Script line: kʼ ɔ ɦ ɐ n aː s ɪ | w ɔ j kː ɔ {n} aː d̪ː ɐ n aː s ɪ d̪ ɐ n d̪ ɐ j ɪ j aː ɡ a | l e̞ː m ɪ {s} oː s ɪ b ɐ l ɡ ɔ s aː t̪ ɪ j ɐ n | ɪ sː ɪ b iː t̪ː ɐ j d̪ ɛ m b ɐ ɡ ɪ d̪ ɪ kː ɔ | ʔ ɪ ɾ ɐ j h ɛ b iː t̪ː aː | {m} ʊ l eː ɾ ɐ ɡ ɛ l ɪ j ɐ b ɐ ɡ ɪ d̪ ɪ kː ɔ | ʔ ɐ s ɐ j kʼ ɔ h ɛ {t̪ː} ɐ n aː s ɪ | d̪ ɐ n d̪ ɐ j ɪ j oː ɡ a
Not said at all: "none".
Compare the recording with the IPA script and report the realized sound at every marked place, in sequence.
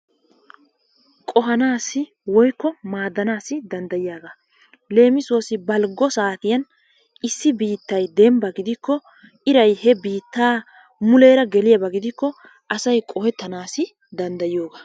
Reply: m, s, m, t̪ː

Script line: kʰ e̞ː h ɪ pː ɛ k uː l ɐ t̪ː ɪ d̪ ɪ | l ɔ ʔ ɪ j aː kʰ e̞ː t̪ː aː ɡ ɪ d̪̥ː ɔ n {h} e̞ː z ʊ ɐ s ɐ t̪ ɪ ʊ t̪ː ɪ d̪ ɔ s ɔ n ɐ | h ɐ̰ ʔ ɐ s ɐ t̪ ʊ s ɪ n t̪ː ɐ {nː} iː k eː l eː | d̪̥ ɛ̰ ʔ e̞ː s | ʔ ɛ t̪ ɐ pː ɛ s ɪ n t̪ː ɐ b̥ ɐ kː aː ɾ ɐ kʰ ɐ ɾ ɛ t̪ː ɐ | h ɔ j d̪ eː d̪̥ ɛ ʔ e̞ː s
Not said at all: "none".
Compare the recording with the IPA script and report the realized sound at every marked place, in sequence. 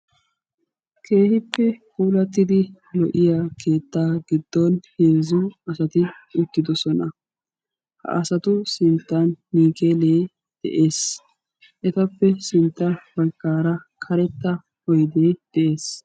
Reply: h, nː

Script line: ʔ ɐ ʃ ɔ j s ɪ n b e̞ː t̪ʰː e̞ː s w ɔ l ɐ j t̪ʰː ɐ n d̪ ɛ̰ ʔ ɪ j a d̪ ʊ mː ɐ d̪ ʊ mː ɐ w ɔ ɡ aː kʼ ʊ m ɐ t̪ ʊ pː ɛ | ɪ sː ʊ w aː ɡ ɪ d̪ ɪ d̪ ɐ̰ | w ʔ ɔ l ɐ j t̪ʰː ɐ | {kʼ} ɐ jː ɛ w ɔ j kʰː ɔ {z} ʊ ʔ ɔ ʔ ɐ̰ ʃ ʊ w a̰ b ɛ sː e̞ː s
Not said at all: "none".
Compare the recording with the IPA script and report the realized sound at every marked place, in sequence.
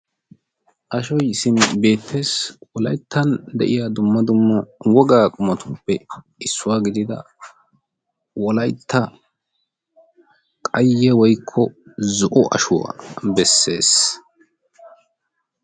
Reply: kʼ, z

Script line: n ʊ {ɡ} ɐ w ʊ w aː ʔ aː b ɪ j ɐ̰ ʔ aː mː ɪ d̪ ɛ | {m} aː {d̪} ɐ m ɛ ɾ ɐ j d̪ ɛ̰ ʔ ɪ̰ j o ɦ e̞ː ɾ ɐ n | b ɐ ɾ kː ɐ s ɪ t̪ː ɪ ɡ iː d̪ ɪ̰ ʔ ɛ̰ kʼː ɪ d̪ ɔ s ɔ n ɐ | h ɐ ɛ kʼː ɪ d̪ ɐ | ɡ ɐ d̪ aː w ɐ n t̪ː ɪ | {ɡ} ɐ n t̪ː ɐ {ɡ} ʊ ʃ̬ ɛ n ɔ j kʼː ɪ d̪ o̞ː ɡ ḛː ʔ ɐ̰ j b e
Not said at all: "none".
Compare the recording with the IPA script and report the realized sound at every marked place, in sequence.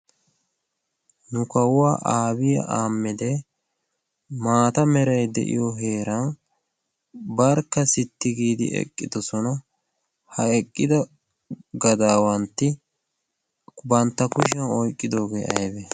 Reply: k, m, t̪, b, k

